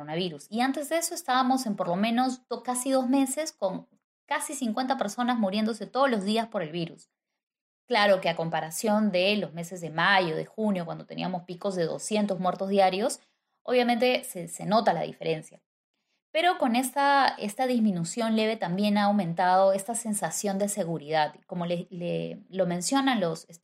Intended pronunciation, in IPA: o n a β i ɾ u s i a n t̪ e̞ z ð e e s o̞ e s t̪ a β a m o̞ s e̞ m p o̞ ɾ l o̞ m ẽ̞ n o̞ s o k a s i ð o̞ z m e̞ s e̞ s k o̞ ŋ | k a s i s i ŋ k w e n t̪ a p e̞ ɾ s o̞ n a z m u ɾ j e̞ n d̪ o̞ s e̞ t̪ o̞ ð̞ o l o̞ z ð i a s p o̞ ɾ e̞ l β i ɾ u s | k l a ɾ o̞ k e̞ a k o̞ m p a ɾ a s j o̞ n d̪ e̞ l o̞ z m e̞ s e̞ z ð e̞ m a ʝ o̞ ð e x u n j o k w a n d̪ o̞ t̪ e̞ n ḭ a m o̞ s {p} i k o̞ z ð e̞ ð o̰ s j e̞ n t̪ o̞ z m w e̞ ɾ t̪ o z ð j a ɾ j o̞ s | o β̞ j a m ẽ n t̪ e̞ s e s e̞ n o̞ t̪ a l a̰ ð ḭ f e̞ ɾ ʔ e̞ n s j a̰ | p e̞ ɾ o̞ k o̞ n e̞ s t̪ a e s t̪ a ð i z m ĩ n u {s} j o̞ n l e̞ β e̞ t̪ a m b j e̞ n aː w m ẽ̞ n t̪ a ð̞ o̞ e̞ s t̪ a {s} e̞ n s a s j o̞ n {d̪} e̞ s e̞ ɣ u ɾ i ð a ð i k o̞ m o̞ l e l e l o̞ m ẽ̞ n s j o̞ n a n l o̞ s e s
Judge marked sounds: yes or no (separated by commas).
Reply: yes, yes, yes, yes